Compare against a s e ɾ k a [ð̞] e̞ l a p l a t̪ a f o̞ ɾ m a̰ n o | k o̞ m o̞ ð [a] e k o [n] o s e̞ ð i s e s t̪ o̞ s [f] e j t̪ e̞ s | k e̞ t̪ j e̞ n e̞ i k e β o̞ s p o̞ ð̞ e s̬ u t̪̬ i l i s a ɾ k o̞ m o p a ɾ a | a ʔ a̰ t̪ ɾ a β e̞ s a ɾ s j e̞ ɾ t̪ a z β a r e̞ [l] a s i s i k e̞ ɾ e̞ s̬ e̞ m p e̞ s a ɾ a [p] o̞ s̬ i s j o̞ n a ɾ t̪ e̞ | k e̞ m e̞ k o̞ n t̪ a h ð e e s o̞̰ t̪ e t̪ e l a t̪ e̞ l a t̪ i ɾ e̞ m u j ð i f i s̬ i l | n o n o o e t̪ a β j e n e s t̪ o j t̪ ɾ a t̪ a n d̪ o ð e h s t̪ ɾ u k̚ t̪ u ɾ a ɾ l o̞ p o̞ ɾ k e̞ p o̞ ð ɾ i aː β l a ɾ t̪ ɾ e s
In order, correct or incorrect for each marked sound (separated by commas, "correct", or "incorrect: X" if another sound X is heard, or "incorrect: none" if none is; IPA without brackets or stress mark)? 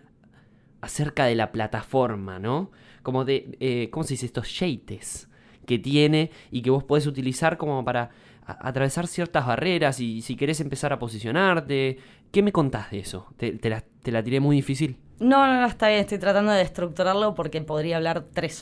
correct, incorrect: e, incorrect: m, incorrect: ʃ, incorrect: ɾ, correct